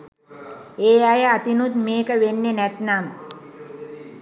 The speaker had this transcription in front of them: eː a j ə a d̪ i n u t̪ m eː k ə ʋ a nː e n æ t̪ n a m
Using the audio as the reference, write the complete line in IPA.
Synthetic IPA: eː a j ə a t̪ i n u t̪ m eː k ə ʋ e nː e n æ t̪ n a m